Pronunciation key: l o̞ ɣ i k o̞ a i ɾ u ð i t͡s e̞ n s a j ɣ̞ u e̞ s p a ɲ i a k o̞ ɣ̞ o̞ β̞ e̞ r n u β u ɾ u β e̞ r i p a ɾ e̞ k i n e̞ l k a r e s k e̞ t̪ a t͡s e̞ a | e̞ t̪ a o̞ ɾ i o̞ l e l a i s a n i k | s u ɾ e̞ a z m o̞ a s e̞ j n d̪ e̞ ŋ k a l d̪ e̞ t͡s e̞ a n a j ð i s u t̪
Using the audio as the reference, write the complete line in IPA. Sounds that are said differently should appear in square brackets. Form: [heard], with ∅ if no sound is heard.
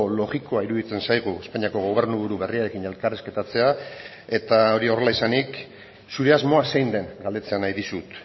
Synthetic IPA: l o̞ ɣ i k o̞ a i ɾ u ð i t͡s e̞ n s a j ɣ̞ u e̞ s p a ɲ i a k o̞ ɣ̞ o̞ β̞ e̞ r n u β u ɾ u β e̞ r i [∅] a ɾ e̞ k i n e̞ l k a r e s k e̞ t̪ a t͡s e̞ a | e̞ t̪ a o̞ ɾ i o̞ [r] e l a i s a n i k | s u ɾ e̞ a z m o̞ a s e̞ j n d̪ e̞ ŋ [ɡ] a l d̪ e̞ t͡s e̞ a n a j ð i s u t̪